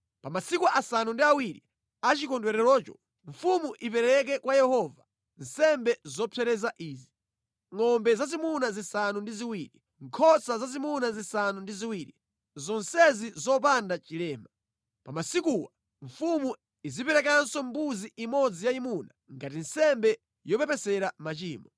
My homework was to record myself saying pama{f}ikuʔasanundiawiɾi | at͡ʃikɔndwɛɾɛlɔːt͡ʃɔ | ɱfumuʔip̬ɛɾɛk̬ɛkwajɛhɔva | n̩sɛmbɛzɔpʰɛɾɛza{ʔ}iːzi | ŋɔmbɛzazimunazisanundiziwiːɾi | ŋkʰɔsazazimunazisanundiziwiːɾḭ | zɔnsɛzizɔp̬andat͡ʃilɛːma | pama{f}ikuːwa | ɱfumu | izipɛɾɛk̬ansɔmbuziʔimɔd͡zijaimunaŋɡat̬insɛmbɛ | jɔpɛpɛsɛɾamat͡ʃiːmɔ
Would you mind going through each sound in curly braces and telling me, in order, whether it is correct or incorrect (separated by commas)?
incorrect, correct, incorrect